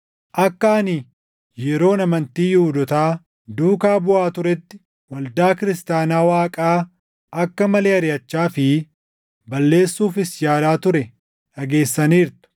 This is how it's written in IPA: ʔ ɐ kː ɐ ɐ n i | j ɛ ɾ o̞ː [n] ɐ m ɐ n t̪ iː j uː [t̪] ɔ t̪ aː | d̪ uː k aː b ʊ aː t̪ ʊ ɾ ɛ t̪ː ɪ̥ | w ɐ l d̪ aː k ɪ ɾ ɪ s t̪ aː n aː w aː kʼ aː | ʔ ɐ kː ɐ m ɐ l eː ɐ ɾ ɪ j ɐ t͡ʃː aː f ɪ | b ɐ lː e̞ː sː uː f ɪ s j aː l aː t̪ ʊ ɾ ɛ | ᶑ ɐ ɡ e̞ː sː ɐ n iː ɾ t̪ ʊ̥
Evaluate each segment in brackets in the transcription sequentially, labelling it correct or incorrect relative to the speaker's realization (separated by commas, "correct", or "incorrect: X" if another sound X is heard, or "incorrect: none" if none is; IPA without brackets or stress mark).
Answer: correct, incorrect: d̪